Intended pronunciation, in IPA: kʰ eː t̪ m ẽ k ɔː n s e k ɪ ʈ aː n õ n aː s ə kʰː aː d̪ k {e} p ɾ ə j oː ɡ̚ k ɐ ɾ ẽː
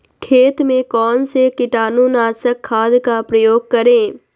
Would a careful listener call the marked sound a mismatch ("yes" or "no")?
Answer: yes